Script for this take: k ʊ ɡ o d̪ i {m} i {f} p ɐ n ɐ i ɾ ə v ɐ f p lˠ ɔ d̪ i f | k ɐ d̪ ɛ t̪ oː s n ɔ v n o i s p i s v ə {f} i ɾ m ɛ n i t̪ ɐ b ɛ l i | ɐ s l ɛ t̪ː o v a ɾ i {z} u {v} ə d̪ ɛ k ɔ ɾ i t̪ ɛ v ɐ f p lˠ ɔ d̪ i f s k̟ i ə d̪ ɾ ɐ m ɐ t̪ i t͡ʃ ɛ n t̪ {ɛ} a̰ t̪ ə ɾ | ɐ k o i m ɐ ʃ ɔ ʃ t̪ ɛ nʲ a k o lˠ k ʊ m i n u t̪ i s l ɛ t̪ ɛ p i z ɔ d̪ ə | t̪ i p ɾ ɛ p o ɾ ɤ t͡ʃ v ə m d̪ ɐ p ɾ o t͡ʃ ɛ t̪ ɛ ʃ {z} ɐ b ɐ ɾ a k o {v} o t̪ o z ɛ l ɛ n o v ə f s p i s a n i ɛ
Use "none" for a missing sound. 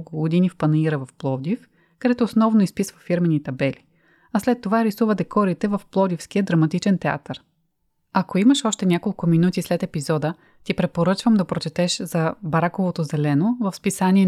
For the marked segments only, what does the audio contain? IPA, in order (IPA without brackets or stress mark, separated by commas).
n, f, f, s, v, ɛ, z, v